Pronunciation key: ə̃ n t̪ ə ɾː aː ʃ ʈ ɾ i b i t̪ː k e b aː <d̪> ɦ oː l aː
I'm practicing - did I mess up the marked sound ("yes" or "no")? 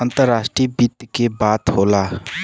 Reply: yes